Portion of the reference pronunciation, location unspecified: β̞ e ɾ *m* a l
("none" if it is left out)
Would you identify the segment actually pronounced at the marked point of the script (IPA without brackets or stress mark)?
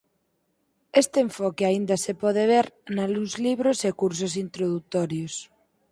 n